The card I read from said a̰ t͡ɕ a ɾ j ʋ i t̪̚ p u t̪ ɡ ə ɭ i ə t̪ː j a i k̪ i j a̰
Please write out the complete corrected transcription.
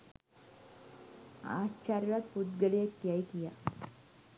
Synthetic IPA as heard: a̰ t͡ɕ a ɾ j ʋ a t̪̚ p u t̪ ɡ ə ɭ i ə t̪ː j a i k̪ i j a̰